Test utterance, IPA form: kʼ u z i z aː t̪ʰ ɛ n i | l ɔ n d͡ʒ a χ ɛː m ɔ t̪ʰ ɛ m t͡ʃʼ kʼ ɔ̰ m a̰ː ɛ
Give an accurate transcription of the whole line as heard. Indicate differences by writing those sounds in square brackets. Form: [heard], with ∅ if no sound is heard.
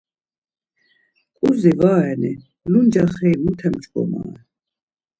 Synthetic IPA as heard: kʼ u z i [v] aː [∅] ɛ n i | l [u] n d͡ʒ a χ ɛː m [u] t̪ʰ ɛ m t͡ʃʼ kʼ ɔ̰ m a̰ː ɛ

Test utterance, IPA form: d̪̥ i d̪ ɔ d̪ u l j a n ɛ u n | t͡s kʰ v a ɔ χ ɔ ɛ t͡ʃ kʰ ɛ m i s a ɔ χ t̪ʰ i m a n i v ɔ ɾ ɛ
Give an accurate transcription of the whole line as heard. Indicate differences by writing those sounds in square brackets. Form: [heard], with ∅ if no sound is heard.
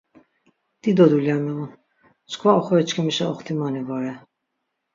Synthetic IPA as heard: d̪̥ i d̪ ɔ d̪ u l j a [m] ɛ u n | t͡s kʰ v a ɔ χ ɔ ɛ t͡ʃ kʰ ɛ m i [ʃ] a ɔ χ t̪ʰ i m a n i v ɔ ɾ ɛ

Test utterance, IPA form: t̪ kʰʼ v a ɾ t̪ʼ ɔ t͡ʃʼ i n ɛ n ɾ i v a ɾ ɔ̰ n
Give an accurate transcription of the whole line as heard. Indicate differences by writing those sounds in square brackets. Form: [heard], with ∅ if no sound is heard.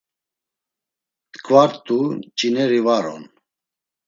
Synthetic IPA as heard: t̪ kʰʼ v a ɾ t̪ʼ [u] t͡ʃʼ i n ɛ [∅] ɾ i v a ɾ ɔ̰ n

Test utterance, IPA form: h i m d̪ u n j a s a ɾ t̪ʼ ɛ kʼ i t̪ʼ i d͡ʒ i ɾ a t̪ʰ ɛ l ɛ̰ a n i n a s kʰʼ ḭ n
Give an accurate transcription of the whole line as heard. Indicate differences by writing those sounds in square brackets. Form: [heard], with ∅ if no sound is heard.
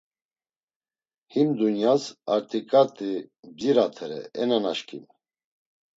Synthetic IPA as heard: h i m d̪ u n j a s a ɾ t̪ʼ [i] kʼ [a] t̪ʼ i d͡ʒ i ɾ a t̪ʰ ɛ [ɾ] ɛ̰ [ɛ] n [a] n a [ʃ] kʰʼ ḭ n

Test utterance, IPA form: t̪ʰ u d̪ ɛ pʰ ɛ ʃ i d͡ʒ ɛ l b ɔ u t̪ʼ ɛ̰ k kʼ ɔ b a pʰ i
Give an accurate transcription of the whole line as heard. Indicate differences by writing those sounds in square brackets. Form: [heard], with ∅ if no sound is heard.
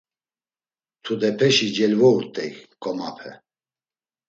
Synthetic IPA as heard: t̪ʰ u d̪ ɛ pʰ ɛ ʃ i d͡ʒ ɛ l [v] ɔ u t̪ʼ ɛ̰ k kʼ ɔ [m] a pʰ [ɛ]

